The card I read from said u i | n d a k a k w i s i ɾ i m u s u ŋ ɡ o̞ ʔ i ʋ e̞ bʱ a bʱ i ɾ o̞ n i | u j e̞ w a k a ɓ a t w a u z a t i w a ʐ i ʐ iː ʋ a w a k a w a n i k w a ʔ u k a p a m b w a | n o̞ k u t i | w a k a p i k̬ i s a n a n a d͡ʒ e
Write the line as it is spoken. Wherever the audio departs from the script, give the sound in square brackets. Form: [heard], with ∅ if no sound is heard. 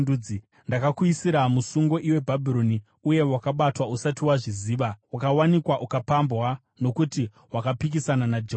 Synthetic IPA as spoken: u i | n d a k a k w i s i ɾ [a] m u s u ŋ ɡ o̞ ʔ i [w] e̞ bʱ a bʱ i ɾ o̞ n i | u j e̞ w a k a ɓ a t w a u [s] a t i w a ʐ i [z] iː ʋ a w a k a w a n i k w a ʔ u k a p a m b w a | n o̞ k u t i | w a k a p i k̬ i s a n a n a d͡ʒ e